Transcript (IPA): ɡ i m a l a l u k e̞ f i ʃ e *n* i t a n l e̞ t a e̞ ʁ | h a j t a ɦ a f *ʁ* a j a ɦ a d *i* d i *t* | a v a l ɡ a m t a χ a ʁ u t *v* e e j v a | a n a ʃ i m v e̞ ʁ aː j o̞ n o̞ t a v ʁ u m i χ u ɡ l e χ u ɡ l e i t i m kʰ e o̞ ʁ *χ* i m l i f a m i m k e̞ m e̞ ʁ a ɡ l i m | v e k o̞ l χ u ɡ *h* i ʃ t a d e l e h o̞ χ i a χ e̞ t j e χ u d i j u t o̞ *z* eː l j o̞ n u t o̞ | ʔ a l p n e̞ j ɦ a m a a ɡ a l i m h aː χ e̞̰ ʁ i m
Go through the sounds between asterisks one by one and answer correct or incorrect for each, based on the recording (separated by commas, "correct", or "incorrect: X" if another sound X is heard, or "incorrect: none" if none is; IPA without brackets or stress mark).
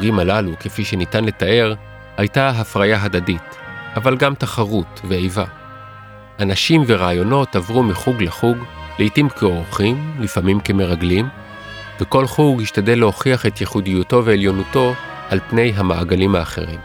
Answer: correct, correct, incorrect: a, correct, correct, correct, correct, incorrect: v